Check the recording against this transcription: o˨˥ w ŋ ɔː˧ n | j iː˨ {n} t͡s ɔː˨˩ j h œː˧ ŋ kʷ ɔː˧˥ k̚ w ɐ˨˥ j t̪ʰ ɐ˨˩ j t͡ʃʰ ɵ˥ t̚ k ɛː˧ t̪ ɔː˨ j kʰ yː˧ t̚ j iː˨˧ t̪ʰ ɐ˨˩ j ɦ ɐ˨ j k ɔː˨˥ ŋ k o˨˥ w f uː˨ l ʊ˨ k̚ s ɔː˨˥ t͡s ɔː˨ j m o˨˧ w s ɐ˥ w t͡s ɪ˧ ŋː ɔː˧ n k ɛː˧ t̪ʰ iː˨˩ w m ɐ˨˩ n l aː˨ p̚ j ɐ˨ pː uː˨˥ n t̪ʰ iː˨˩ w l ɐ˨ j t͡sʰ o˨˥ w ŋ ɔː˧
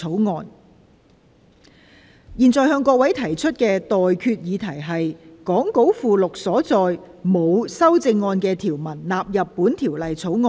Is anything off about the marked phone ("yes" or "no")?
no